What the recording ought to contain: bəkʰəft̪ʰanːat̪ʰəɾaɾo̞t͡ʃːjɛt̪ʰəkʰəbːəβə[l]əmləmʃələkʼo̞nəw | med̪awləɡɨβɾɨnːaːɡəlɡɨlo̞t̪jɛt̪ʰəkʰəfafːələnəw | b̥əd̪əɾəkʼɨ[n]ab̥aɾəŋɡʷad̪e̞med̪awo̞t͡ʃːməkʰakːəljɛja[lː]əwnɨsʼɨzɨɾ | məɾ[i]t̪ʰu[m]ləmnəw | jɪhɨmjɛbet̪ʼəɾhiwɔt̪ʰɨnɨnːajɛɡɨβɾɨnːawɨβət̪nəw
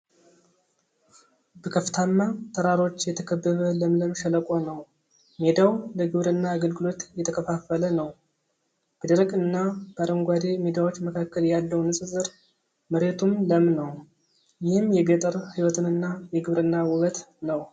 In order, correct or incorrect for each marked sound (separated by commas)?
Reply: correct, incorrect, correct, incorrect, correct